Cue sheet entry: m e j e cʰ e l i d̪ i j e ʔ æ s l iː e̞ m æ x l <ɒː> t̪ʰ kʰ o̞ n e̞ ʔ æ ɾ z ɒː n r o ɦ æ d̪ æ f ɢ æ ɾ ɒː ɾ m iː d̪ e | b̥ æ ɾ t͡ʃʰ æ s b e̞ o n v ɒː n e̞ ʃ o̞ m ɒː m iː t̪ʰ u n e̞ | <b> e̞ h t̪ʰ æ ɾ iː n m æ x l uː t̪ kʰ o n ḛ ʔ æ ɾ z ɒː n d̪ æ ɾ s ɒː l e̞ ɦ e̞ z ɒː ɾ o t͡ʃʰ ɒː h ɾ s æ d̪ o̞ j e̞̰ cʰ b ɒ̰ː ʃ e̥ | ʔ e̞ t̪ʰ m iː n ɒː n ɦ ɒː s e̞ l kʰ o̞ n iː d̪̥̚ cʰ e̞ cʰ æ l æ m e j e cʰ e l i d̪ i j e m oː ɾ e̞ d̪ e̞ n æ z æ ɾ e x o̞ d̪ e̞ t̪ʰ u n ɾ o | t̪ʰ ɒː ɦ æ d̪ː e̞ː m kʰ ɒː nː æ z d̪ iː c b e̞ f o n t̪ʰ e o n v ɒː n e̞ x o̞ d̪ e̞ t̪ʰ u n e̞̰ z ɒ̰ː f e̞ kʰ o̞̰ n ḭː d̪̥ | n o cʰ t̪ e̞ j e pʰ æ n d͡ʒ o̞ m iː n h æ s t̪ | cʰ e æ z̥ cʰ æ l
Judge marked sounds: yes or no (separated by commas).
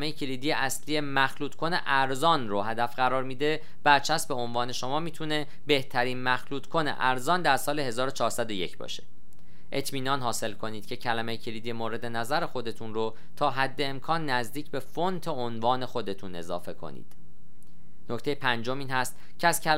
no, yes